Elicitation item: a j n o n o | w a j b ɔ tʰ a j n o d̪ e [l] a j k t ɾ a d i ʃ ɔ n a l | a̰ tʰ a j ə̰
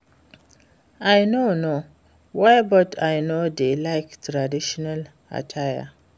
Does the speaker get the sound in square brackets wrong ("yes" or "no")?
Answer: no